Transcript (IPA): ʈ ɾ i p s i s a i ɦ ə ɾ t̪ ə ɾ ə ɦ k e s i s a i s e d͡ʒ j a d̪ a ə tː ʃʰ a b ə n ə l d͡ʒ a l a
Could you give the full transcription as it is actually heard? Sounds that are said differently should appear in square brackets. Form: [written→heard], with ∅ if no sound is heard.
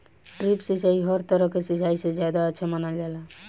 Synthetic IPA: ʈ ɾ i p s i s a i ɦ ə ɾ t̪ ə ɾ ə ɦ k e s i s a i s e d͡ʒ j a d̪ a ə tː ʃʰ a [b→m] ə n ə l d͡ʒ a l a